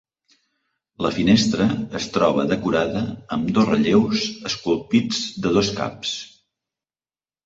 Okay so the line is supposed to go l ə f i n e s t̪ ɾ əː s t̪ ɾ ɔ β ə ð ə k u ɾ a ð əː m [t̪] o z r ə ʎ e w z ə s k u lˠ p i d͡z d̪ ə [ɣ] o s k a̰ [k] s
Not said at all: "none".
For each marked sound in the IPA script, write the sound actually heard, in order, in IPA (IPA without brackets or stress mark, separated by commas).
d̪, ð, p